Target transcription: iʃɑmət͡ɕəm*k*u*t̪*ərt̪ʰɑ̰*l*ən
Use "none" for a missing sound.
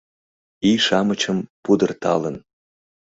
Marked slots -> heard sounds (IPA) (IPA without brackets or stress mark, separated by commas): p, d̪, l